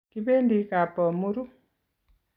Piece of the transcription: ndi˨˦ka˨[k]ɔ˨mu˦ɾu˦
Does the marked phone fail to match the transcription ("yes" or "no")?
yes